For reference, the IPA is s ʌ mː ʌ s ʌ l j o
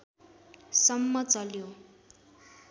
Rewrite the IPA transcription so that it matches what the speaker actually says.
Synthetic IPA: s ʌ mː ʌ t͡s ʌ l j o